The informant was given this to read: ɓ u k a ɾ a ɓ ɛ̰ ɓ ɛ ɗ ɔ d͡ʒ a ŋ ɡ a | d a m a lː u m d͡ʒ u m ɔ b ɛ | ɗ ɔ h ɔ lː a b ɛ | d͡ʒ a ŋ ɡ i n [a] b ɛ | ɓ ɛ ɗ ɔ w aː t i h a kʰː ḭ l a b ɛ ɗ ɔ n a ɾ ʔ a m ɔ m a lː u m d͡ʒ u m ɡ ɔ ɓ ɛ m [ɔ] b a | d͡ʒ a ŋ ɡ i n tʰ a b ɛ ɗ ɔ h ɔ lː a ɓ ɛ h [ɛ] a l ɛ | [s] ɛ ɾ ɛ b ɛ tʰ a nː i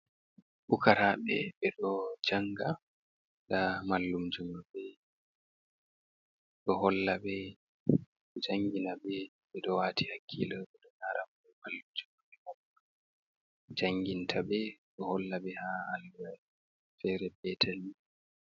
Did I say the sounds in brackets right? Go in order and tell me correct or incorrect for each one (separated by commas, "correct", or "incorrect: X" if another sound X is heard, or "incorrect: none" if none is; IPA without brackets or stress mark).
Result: correct, correct, incorrect: a, incorrect: f